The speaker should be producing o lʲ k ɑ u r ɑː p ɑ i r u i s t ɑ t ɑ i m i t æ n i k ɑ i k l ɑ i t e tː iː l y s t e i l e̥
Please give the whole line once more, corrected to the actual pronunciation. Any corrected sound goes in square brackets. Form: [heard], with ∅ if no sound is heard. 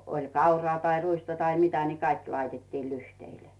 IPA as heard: o lʲ k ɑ u r ɑː [t] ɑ i r u i s t ɑ t ɑ i m i t æ n i k ɑ i k l ɑ i t e tː iː l y [h] t e i l e̥